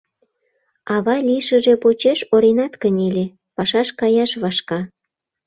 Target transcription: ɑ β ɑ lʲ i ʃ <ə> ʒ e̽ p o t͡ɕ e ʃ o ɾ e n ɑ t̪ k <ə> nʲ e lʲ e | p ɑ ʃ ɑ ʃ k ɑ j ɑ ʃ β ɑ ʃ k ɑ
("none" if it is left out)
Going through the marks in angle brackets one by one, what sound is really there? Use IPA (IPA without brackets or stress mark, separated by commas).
ə, ə